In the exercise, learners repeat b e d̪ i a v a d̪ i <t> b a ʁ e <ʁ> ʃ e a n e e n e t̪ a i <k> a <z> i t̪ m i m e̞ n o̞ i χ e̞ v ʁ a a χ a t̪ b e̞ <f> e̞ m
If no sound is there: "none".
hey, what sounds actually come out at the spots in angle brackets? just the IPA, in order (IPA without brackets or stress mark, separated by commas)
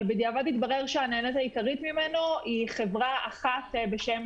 t, ʁ, k, ʁ, ʃ